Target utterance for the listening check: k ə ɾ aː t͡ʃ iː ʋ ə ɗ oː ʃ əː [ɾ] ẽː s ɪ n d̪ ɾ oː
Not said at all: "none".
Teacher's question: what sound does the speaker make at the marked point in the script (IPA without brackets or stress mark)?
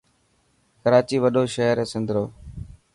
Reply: ɾ